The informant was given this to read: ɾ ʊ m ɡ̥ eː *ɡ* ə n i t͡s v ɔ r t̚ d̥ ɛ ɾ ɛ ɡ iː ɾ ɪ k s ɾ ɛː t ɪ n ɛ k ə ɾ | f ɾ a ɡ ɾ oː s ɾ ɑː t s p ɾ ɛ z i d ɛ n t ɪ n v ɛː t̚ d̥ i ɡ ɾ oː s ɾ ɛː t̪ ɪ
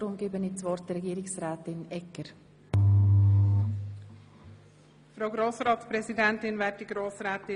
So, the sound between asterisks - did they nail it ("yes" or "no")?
no